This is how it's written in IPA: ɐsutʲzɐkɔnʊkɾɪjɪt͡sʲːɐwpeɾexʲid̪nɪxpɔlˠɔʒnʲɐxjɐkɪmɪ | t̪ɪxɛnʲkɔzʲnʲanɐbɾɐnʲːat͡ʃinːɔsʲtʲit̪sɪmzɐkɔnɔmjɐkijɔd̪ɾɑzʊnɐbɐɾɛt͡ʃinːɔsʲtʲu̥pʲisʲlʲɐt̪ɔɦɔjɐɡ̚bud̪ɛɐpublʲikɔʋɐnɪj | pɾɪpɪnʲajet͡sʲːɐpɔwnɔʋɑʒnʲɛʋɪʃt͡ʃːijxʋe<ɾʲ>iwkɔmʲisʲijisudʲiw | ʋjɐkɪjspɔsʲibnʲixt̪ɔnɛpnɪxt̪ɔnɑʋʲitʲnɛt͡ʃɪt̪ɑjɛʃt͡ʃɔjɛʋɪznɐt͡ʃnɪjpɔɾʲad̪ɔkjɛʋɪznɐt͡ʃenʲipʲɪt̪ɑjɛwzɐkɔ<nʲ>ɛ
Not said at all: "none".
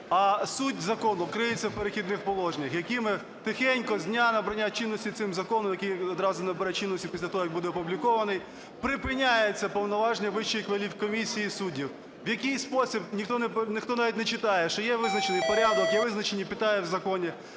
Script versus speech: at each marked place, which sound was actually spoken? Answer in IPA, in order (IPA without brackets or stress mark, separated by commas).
lʲ, nʲ